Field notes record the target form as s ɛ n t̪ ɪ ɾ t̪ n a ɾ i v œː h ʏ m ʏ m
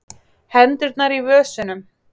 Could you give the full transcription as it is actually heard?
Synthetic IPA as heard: h ɛ n t̪ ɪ ɾ t̪ n a ɾ i v œː s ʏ n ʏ m